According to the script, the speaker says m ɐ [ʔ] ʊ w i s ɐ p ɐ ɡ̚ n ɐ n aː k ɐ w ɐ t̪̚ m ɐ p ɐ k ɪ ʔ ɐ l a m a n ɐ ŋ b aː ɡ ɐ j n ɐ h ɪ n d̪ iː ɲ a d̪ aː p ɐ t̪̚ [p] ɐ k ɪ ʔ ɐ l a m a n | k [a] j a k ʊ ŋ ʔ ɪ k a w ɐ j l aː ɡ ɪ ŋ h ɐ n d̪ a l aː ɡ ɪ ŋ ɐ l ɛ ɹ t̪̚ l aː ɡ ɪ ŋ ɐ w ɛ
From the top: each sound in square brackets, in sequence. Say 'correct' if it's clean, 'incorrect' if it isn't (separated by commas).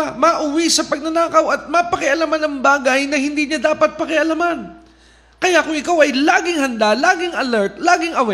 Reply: correct, correct, incorrect